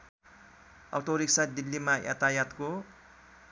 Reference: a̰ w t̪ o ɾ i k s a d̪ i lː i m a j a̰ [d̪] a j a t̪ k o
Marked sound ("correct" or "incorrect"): incorrect